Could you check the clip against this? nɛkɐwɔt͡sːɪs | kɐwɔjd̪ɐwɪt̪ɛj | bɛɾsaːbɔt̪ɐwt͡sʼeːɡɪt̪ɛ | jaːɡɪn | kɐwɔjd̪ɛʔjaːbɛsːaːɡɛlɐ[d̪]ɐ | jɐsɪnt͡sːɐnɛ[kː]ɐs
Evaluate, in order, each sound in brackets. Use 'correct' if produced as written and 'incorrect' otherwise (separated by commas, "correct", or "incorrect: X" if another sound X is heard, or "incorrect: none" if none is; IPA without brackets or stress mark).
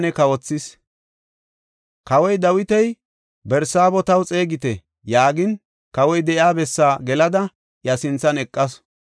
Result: correct, incorrect: kʼː